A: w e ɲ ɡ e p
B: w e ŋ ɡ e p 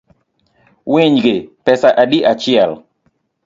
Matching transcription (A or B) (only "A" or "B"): A